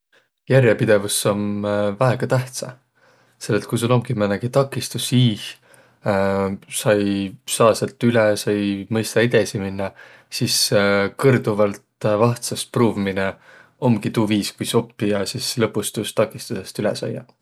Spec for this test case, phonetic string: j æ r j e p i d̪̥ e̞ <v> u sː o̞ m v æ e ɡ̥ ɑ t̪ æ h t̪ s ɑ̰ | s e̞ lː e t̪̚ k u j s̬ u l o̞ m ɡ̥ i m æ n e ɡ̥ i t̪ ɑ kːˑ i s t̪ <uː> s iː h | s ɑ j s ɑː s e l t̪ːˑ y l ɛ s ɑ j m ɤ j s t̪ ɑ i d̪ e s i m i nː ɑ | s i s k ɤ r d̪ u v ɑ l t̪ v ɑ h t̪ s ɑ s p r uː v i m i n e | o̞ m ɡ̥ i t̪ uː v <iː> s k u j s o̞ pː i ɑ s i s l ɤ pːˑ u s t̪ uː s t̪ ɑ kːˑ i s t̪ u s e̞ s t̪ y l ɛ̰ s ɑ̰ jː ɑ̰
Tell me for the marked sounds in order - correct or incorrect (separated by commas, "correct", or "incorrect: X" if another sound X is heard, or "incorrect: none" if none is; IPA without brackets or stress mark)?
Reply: correct, incorrect: u, correct